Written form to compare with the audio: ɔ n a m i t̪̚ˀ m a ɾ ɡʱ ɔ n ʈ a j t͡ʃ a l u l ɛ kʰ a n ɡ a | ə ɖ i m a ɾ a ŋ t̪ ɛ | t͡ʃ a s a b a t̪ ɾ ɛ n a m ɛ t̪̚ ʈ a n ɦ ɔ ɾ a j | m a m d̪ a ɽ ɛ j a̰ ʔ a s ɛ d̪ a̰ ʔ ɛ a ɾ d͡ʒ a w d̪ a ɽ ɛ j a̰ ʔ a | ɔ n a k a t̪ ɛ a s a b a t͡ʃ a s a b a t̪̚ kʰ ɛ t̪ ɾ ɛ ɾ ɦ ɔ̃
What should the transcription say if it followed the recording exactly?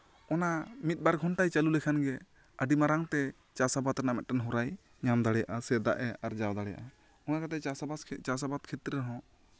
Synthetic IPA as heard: ɔ n a m i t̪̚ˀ b a ɾ ɡʱ ɔ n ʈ a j t͡ʃ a l u l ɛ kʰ a n ɡ ɛ | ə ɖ i m a ɾ a ŋ t̪ ɛ | t͡ʃ a s a b a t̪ ɾ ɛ n a m ɛ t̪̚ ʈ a n ɦ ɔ ɾ a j | ɲ a m d̪ a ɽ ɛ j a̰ ʔ a s ɛ d̪ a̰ ʔ ɛ a ɾ d͡ʒ a w d̪ a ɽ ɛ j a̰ ʔ a | ɔ n a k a t̪ ɛ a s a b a t͡ʃ a s a b a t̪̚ kʰ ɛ t̪ ɾ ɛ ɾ ɦ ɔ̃

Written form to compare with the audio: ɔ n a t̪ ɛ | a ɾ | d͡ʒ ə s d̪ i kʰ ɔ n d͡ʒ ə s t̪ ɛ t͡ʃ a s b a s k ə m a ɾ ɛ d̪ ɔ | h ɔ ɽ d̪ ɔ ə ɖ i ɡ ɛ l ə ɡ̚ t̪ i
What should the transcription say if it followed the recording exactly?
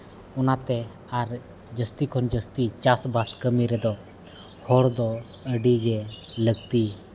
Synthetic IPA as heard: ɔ n a t̪ ɛ | a ɾ | d͡ʒ ə s t̪ i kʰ ɔ n d͡ʒ ə s t̪ i t͡ʃ a s b a s k ə m i ɾ ɛ d̪ ɔ | h ɔ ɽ d̪ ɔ ə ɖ i ɡ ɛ l ə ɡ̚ t̪ i

